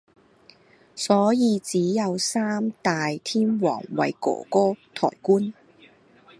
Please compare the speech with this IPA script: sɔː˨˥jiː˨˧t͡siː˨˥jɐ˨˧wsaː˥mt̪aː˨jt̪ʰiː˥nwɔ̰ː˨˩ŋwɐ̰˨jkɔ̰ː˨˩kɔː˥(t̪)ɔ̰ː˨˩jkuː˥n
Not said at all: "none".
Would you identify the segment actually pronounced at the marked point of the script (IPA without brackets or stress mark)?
t̪ʰ